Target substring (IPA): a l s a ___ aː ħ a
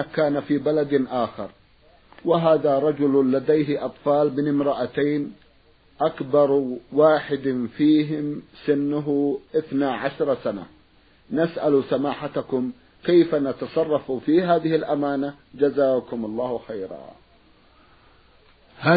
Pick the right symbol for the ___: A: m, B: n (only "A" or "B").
A